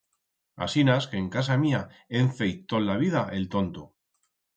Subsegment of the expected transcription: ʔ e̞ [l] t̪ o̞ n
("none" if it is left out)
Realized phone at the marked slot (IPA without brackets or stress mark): l